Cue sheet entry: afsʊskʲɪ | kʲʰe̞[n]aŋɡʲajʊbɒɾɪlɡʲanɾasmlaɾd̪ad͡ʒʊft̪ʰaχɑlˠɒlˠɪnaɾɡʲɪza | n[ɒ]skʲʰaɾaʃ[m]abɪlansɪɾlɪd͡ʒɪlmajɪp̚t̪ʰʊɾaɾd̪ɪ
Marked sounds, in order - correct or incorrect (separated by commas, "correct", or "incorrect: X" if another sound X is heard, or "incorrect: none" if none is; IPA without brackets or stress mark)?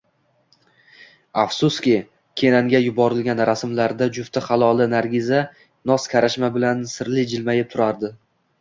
correct, correct, correct